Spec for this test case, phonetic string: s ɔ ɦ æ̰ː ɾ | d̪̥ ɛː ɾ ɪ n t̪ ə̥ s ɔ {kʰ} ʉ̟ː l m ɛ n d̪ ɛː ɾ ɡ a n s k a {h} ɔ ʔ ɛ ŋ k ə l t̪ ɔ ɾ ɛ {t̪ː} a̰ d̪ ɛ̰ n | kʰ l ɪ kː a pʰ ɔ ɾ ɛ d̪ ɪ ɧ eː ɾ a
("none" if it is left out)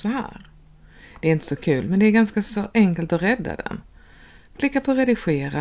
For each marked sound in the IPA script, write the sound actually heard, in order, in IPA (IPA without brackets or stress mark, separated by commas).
kʰ, s, d̪ː